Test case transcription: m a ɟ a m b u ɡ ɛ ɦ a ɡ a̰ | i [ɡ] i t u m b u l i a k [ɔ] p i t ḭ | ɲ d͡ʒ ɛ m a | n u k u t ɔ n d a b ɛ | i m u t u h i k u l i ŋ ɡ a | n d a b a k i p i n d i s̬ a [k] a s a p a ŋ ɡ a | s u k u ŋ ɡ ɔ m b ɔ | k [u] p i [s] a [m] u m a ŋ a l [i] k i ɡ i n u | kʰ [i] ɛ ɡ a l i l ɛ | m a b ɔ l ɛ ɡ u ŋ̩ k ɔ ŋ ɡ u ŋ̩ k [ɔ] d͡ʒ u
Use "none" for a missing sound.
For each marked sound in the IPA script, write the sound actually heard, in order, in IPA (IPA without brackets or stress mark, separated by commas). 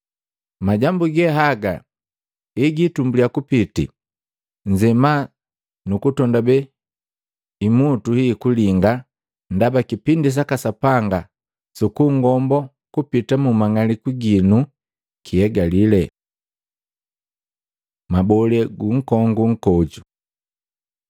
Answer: ɡ, u, k, u, t, m, i, i, ɔ